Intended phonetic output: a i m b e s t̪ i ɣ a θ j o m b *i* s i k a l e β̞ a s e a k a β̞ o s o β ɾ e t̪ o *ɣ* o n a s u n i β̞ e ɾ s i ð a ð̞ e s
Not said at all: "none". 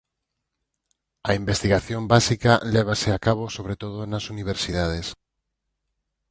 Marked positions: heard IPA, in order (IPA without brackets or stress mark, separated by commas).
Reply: a, ð